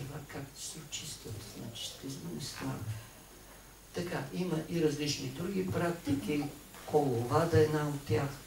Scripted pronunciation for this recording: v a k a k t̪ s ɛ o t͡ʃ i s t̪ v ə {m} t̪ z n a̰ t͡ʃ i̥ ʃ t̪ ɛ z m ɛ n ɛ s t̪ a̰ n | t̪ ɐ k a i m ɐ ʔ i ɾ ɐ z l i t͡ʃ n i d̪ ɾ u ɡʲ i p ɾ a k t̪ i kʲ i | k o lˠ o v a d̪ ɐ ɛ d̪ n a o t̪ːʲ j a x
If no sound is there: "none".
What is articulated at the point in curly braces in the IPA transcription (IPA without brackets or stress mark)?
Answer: none